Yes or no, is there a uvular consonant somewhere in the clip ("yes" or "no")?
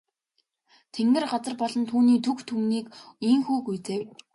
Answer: yes